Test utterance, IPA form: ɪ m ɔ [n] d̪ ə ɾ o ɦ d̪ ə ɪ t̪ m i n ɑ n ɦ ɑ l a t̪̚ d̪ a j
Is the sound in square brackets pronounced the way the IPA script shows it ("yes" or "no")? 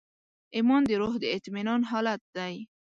yes